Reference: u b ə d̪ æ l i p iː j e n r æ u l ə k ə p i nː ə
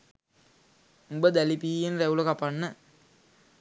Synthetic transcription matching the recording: u b ə d̪ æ l i p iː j e n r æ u l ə k a p a nː ə